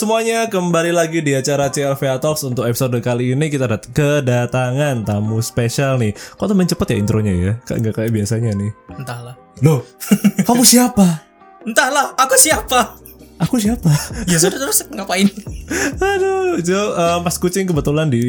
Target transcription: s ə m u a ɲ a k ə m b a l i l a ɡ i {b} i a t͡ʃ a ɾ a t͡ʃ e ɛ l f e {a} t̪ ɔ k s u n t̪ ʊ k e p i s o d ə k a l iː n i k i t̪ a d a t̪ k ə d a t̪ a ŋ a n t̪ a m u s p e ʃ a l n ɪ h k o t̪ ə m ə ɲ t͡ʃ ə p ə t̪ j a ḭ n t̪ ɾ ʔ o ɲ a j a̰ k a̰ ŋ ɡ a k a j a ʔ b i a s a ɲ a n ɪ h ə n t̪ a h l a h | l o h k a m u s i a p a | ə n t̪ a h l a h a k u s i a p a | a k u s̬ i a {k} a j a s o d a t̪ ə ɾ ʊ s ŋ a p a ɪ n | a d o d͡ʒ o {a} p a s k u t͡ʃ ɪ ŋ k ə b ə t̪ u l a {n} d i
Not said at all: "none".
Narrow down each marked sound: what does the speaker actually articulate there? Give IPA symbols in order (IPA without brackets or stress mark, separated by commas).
d, a, p, ə, n